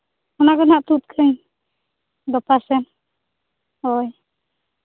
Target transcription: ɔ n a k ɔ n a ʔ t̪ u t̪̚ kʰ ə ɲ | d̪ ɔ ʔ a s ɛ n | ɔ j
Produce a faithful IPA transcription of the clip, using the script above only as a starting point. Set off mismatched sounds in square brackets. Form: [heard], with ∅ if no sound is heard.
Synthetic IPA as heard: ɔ n a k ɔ n a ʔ t̪ u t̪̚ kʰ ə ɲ | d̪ ɔ [p] a s ɛ n | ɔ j